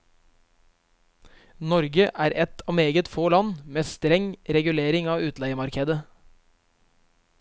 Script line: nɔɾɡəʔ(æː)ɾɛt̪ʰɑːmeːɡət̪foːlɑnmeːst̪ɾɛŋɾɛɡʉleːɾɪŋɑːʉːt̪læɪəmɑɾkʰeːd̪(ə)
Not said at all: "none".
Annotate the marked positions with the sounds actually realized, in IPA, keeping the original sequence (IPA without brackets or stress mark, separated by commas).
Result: æː, ə